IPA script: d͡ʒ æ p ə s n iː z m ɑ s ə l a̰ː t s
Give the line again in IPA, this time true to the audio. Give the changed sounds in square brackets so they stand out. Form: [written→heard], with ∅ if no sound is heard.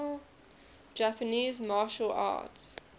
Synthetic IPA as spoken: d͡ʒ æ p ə [s→∅] n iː z m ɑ [s→ʃ] ə l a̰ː t s